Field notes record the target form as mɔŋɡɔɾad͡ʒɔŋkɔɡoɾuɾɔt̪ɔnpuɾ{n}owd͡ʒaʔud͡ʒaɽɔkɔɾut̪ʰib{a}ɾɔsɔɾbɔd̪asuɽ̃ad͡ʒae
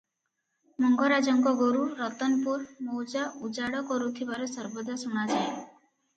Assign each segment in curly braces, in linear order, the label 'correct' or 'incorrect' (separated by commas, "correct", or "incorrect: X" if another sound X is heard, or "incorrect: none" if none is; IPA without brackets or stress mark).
incorrect: m, correct